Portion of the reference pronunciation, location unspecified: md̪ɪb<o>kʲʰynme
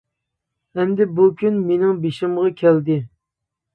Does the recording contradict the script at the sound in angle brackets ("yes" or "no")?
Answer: yes